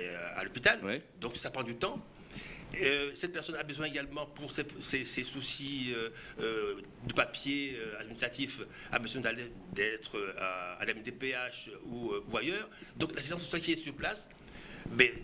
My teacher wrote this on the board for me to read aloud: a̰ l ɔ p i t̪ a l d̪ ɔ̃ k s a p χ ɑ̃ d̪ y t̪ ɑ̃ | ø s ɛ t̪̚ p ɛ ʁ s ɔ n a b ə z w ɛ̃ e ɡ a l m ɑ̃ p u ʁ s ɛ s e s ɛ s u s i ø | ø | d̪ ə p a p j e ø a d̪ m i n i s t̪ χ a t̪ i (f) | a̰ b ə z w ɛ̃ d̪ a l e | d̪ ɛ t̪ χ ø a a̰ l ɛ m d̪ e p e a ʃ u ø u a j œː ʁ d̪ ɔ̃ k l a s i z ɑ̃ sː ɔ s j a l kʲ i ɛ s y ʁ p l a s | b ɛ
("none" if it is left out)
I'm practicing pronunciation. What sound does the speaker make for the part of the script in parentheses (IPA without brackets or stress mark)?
f